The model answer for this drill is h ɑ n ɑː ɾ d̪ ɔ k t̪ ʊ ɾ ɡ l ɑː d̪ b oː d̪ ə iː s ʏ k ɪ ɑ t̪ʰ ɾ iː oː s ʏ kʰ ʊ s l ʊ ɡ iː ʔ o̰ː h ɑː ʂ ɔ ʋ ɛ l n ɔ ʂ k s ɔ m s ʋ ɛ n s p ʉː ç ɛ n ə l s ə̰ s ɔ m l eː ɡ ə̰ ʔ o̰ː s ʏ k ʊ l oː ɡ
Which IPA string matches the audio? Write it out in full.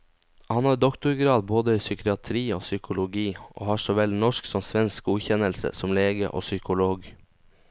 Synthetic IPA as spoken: h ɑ n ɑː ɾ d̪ ɔ k t̪ ʊ ɾ ɡ ɾ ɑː d̪ b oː d̪ ə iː s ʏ k ɪ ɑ t̪ʰ ɾ iː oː s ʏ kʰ ʊ l ʊ ɡ iː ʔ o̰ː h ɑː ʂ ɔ ʋ ɛ l n ɔ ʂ k s ɔ m s ʋ ɛ n s k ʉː ç ɛ n ə l s ə̰ s ɔ m l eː ɡ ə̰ ʔ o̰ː s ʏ k ʊ l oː ɡ